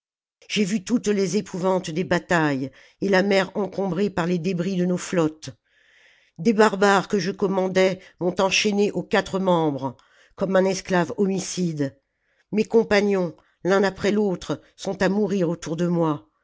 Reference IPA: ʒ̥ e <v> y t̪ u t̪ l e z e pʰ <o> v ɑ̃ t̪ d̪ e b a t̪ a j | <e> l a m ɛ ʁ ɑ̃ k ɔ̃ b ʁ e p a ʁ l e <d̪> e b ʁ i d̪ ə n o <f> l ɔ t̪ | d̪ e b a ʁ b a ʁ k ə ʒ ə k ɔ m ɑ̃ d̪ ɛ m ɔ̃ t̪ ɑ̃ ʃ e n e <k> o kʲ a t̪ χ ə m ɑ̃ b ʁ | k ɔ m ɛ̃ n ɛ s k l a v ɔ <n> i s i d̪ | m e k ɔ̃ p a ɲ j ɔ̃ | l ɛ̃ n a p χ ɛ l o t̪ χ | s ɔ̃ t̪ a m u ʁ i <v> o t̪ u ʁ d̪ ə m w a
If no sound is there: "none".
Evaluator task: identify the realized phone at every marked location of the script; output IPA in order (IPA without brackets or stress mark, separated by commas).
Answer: v, u, e, d̪, f, ʔ, m, ʁ